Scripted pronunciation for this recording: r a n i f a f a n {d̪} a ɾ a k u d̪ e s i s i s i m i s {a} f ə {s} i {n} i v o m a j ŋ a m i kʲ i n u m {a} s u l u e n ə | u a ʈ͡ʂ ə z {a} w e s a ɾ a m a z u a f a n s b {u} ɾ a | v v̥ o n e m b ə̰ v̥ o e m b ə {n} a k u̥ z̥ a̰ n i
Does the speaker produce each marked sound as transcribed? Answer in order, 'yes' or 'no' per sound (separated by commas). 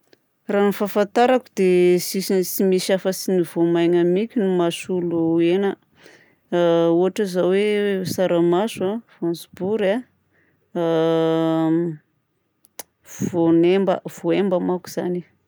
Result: no, yes, yes, yes, yes, yes, yes, no